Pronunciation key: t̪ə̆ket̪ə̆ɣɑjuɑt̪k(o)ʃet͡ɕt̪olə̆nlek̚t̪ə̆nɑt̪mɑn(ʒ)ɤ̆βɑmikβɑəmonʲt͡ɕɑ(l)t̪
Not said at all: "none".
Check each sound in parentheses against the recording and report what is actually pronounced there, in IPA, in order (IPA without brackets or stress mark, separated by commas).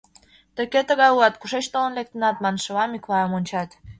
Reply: u, ʃ, none